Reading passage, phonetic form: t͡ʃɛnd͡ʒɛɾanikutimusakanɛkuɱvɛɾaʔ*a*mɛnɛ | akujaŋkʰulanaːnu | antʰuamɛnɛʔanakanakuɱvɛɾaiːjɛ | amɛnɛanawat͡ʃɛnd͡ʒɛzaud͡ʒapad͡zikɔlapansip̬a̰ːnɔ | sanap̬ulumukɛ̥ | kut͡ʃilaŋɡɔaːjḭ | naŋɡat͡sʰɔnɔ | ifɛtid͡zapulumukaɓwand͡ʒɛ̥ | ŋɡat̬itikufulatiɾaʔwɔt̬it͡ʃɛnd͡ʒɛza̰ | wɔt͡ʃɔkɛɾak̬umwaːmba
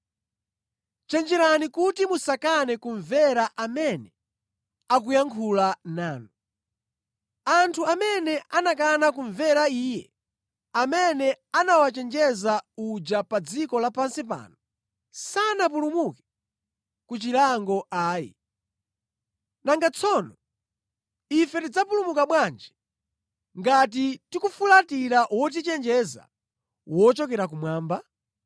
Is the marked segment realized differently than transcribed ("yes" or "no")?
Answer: no